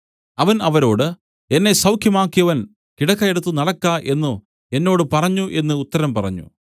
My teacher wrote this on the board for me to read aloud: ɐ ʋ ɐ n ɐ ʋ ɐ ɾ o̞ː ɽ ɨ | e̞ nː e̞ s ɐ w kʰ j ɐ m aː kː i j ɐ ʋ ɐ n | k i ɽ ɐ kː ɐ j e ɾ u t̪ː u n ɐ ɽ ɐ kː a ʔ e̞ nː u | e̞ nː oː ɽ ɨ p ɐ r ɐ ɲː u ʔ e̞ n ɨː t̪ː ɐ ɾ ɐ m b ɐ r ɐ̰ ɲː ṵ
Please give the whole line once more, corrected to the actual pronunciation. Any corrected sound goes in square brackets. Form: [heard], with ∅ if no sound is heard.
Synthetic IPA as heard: ɐ ʋ ɐ n ɐ ʋ ɐ ɾ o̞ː ɽ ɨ | e̞ nː e̞ s ɐ w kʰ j ɐ m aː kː i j ɐ ʋ ɐ n | k i ɽ ɐ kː ɐ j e [ɽ] u t̪ː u n ɐ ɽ ɐ kː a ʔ e̞ nː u | e̞ nː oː ɽ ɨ p ɐ r ɐ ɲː u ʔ e̞ [nː] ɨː t̪ː ɐ ɾ ɐ m [p] ɐ r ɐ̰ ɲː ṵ

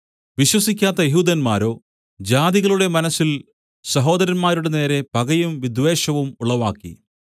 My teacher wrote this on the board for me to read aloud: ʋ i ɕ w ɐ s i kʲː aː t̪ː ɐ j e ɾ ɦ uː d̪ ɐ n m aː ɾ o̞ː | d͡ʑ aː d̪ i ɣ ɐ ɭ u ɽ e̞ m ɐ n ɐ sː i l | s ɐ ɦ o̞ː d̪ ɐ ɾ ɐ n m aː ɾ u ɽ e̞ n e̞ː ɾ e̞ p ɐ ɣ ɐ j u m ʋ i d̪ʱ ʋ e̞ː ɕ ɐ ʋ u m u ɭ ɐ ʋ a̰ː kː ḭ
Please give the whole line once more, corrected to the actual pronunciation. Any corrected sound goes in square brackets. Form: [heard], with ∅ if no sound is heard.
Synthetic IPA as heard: ʋ i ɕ w ɐ s i kʲː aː t̪ː ɐ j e [∅] ɦ uː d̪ ɐ n m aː ɾ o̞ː | d͡ʑ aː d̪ i ɣ ɐ ɭ u ɽ e̞ m ɐ n ɐ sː i l | s ɐ ɦ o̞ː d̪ ɐ ɾ ɐ n m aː ɾ u ɽ e̞ n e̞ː ɾ e̞ p ɐ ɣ ɐ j u m ʋ i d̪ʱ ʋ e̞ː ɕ ɐ ʋ u m u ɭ ɐ ʋ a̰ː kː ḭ

